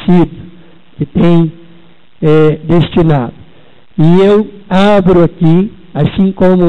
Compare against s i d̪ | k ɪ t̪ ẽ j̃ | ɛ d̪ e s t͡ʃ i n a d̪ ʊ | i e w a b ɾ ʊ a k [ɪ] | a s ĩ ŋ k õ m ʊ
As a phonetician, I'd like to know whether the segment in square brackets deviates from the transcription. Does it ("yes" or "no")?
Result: yes